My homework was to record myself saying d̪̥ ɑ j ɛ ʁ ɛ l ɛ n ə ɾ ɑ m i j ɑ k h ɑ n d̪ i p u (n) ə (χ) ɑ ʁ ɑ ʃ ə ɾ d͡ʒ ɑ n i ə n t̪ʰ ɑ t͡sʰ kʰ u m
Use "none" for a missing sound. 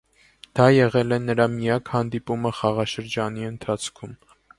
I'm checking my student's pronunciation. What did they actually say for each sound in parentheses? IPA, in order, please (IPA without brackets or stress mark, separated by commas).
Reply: m, χ